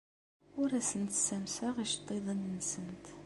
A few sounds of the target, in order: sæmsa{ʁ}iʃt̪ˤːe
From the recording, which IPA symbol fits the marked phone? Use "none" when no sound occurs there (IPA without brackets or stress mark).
ʁ